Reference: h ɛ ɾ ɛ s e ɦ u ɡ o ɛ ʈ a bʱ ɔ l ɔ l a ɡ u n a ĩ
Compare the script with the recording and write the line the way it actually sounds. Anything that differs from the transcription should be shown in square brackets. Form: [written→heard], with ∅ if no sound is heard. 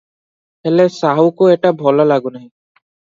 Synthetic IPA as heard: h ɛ [ɾ→l] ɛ s [e→a] ɦ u [ɡ→k] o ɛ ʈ a bʱ ɔ l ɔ l a ɡ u n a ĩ